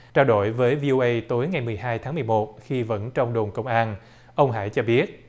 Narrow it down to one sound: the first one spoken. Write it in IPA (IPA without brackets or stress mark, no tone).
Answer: t͡ɕ